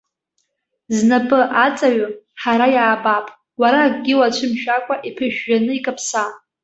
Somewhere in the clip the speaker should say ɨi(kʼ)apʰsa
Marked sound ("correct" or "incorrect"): correct